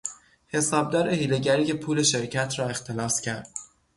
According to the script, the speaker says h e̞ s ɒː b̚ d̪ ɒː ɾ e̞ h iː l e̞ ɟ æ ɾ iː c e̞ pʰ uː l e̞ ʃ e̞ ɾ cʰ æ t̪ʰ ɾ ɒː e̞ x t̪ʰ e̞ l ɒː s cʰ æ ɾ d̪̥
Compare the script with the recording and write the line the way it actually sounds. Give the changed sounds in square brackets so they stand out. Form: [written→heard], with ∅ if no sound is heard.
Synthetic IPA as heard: h e̞ s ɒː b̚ d̪ ɒː ɾ e̞ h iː l e̞ ɟ æ ɾ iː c e̞ pʰ uː l e̞ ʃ e̞ ɾ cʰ æ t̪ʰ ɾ ɒː e̞ x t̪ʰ e̞ l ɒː s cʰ æ ɾ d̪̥